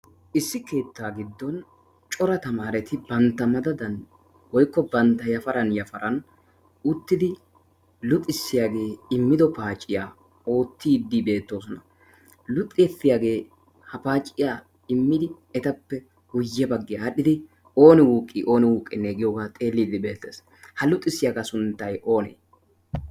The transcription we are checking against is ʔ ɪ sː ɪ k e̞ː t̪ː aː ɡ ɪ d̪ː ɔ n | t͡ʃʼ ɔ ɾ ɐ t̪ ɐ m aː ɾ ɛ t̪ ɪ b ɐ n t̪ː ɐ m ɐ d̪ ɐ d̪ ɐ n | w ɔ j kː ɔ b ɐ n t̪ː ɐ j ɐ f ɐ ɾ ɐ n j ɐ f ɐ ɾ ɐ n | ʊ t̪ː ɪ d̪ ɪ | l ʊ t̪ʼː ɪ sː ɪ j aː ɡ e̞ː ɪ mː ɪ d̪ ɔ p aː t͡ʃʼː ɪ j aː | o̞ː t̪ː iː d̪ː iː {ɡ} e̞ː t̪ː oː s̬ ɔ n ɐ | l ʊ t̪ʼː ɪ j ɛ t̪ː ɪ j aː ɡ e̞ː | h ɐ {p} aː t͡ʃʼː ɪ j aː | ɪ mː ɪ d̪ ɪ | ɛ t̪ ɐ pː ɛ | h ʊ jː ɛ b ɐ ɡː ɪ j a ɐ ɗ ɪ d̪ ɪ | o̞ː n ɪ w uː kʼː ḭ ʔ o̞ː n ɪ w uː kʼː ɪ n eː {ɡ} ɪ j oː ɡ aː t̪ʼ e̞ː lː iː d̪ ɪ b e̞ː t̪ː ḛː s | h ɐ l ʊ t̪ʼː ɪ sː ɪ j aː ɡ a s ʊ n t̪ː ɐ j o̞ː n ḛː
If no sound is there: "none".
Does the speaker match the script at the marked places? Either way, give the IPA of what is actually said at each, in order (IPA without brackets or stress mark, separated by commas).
b, p, ɡ